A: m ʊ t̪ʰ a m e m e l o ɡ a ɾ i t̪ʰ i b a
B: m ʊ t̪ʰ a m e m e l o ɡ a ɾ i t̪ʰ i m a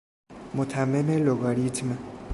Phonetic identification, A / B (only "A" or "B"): B